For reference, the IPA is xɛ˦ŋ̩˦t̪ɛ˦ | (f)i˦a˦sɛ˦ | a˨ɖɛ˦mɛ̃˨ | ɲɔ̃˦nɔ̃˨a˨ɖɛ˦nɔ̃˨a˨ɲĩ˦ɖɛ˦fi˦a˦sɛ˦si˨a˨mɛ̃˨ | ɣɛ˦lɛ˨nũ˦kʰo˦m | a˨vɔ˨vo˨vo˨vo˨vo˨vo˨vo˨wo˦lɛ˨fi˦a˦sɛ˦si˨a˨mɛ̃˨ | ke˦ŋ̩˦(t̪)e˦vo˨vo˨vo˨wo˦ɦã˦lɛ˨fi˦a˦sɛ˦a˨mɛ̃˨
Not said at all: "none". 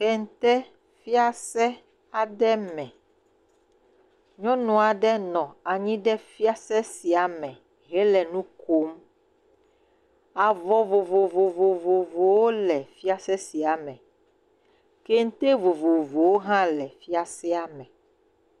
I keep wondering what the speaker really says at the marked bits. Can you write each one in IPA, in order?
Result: f, t̪

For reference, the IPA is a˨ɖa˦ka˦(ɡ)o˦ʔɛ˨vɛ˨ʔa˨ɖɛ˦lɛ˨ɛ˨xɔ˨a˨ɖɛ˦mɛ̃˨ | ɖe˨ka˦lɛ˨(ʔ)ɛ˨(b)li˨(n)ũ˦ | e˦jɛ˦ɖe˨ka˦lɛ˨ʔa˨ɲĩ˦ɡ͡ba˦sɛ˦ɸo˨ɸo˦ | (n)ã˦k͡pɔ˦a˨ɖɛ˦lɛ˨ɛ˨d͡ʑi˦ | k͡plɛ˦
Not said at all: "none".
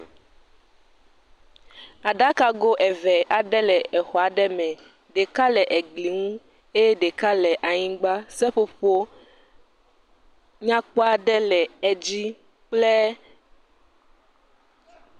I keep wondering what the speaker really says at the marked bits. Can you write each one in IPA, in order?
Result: ɡ, ʔ, ɡ͡b, ŋ, ɲ

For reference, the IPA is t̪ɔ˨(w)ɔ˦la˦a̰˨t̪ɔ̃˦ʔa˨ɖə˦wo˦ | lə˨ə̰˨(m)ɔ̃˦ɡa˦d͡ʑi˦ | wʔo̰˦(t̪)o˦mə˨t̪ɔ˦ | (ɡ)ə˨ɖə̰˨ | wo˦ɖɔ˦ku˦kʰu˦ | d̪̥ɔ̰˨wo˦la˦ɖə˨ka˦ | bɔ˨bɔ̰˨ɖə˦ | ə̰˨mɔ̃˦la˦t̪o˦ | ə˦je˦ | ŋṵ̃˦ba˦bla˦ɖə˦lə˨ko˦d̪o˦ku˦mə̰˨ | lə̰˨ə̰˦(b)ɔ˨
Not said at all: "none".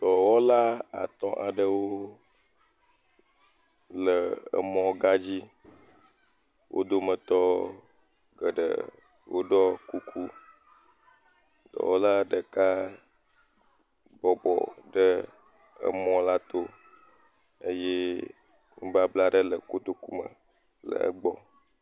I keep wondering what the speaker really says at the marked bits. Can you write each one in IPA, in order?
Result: w, m, d̪, ɡ, ɡ͡b

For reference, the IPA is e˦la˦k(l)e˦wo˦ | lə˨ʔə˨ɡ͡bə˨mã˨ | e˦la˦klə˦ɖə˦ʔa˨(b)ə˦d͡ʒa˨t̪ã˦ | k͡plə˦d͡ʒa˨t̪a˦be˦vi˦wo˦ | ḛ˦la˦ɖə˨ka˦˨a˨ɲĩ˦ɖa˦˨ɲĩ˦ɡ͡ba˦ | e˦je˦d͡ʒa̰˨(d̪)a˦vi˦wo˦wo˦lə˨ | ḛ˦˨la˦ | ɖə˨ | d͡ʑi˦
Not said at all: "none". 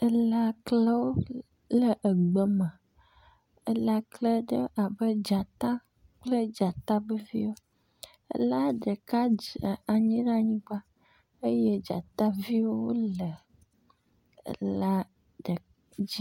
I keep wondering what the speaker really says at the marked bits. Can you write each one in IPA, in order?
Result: l, b, t̪

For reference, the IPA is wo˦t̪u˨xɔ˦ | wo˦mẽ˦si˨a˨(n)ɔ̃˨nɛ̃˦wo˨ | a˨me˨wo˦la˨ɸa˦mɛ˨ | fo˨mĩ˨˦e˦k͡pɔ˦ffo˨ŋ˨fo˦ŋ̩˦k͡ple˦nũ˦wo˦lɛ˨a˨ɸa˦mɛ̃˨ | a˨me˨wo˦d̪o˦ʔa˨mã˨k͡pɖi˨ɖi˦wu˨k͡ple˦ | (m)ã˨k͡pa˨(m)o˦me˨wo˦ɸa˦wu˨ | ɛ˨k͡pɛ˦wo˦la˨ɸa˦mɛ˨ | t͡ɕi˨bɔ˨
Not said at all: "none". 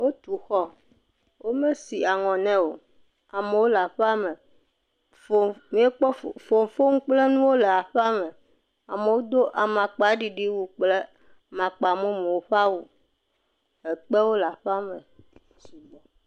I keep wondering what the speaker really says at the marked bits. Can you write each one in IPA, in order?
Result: ŋ, m, m

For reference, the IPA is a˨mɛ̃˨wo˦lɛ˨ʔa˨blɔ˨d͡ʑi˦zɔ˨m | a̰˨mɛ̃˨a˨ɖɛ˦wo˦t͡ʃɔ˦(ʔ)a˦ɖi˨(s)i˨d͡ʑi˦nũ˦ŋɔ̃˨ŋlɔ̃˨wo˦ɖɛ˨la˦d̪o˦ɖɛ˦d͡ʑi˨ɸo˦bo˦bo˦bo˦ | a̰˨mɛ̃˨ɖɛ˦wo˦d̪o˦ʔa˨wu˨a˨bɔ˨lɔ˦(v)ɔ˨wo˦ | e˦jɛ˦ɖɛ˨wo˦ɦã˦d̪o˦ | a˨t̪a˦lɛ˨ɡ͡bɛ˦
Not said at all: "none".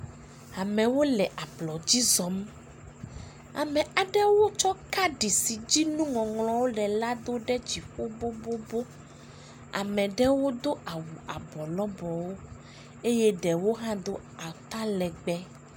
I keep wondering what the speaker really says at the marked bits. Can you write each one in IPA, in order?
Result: k, s, b

